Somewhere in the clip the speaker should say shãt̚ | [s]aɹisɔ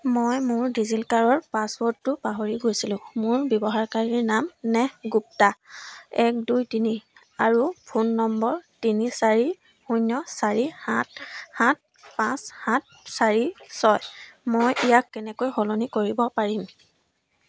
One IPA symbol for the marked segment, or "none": s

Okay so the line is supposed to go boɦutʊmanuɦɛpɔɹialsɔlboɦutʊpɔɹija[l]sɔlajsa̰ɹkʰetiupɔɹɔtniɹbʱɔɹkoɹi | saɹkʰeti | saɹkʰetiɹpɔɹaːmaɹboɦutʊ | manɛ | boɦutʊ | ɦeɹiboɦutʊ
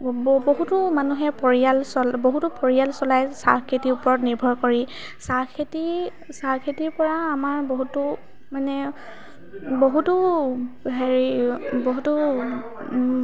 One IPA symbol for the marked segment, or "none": l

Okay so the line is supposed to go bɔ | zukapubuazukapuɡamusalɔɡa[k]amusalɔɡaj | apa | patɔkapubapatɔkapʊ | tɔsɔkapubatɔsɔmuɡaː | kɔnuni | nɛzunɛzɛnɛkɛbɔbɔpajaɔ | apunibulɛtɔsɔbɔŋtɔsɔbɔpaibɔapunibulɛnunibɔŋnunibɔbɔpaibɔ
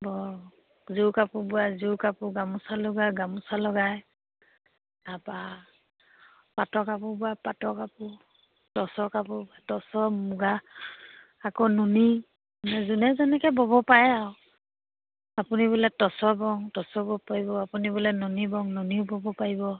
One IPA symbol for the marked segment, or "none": ɡ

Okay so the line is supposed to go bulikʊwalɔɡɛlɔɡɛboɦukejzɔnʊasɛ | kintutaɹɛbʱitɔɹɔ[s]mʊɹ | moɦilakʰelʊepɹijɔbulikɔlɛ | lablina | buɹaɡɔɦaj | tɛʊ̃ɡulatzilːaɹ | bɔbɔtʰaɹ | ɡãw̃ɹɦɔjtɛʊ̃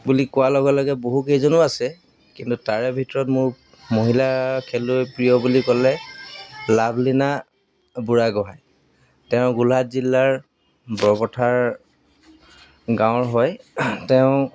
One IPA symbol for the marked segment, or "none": t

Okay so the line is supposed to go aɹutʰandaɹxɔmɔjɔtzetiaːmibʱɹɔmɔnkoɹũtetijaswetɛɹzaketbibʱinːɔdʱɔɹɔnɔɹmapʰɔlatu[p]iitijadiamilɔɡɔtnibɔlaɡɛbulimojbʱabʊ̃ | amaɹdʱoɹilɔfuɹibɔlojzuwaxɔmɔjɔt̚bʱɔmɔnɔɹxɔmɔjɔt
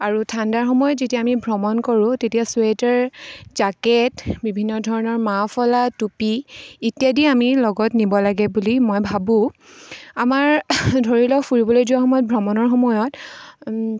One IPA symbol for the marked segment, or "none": p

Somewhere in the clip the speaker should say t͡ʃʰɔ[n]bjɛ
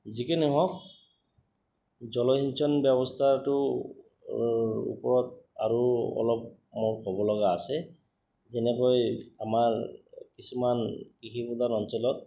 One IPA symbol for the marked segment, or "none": n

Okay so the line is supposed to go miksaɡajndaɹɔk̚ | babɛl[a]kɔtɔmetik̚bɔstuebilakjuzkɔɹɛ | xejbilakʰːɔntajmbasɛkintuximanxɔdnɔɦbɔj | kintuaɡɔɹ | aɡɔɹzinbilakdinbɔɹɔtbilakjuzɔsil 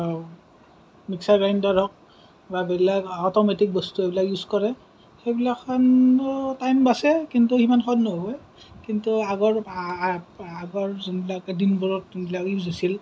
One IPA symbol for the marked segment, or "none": a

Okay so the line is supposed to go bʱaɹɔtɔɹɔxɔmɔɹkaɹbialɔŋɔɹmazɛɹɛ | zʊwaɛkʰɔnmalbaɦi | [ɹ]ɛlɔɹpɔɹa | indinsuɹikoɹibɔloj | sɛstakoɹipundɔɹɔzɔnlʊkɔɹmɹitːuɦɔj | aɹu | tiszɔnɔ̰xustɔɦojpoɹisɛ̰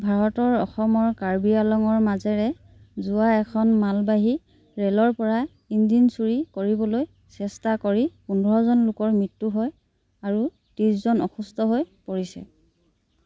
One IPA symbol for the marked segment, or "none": ɹ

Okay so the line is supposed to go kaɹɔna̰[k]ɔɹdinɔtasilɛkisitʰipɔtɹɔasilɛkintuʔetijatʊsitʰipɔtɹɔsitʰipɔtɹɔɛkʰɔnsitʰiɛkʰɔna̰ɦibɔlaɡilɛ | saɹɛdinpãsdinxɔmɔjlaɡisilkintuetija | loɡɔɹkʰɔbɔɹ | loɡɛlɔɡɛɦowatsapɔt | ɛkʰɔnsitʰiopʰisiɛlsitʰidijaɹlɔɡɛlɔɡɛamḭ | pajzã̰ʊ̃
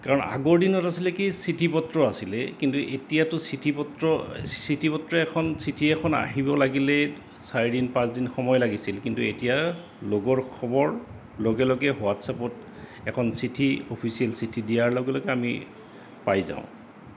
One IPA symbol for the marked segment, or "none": ɡ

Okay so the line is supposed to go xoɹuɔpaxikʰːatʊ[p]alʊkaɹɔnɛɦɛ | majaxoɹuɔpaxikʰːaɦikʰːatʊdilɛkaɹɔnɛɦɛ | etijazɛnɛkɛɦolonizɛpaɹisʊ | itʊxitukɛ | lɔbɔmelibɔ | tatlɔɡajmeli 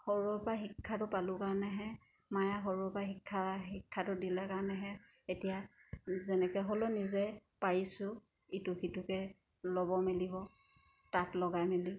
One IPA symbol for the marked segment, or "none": p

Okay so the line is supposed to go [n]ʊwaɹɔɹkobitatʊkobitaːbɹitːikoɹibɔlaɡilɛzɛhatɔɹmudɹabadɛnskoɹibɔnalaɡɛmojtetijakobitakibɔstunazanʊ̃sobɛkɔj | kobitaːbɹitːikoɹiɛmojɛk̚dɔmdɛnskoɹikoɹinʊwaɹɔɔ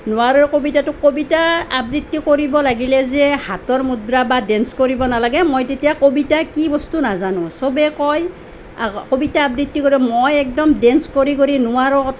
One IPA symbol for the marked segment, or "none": n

